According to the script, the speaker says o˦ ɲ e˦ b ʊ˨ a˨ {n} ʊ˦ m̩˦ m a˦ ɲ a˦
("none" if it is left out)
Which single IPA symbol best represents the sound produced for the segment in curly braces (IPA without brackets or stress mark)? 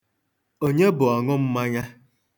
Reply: ŋ